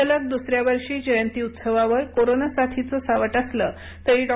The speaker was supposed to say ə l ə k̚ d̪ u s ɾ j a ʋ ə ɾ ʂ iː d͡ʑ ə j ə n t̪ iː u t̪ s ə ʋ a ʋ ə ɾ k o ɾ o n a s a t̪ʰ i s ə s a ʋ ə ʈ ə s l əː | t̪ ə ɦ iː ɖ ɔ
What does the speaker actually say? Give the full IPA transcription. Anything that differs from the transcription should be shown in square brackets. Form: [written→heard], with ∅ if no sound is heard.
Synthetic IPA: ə l ə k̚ d̪ u s ɾ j a ʋ ə ɾ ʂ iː d͡ʑ ə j ə n t̪ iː u t̪ s ə ʋ a ʋ ə ɾ k o ɾ o n a s a t̪ʰ i [s→t͡s] ə s a ʋ ə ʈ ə s l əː | t̪ ə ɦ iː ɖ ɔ